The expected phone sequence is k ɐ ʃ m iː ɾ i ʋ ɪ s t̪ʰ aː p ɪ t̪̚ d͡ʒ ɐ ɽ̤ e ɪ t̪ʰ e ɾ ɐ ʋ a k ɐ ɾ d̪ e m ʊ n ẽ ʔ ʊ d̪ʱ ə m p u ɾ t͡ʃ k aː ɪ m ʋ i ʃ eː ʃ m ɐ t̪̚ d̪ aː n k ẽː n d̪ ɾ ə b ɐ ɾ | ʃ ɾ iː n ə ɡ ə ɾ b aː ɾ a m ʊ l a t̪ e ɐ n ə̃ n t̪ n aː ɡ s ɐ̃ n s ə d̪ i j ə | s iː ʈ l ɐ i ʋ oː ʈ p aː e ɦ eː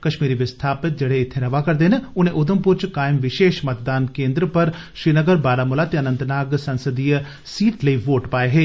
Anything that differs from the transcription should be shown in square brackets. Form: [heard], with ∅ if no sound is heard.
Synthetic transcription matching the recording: k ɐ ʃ m iː ɾ i ʋ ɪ s t̪ʰ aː p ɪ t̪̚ d͡ʒ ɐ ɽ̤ e ɪ t̪ʰ e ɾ ɐ ʋ a k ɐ ɾ d̪ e [n] ʊ n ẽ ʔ ʊ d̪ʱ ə m p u ɾ t͡ʃ k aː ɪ m ʋ [ɪ] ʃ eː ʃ m ɐ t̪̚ d̪ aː n k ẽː n d̪ ɾ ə [p] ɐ ɾ | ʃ ɾ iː n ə ɡ ə ɾ b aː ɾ a m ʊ l a t̪ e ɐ n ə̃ n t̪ n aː ɡ s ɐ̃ n s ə d̪ i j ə | s iː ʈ l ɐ i ʋ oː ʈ p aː e ɦ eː